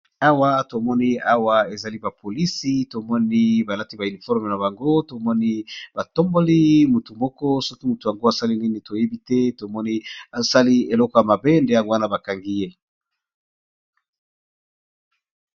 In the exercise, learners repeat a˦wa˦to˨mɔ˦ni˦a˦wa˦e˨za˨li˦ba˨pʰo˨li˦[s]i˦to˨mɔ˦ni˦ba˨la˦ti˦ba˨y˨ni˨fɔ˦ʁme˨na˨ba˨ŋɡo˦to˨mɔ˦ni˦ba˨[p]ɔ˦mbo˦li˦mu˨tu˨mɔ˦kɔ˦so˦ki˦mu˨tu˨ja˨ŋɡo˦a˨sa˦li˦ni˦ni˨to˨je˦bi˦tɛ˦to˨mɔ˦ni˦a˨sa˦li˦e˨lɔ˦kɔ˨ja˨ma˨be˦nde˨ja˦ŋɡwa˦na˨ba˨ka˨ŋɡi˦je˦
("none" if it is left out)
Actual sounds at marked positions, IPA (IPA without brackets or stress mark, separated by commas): s, t